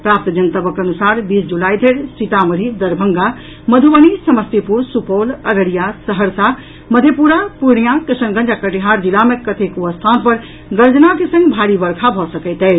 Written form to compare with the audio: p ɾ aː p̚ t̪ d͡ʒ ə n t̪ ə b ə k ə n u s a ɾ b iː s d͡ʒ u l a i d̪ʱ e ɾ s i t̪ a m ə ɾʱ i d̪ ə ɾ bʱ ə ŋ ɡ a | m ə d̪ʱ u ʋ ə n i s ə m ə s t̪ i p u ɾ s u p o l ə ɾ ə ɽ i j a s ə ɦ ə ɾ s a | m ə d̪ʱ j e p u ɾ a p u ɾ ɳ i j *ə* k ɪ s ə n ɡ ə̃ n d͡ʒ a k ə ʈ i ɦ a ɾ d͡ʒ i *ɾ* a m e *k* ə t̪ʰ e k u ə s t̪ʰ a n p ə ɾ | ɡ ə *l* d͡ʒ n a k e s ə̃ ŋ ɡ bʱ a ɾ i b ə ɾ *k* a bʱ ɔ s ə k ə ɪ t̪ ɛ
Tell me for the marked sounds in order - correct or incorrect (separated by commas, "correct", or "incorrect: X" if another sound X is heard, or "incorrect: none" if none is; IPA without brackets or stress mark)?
incorrect: a, incorrect: l, correct, incorrect: ɾ, incorrect: kʰ